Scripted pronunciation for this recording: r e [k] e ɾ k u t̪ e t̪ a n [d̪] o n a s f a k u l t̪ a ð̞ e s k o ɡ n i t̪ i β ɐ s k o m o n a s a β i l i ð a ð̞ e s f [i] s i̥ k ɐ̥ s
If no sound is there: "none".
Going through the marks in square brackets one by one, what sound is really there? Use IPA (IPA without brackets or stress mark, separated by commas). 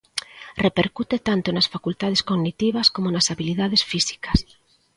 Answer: p, t̪, i